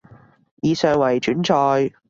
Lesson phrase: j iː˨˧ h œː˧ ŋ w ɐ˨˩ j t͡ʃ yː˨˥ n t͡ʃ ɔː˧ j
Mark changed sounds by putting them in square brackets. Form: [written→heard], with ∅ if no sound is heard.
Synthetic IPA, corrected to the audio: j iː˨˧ [h→s] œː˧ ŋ w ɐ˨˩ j t͡ʃ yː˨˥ n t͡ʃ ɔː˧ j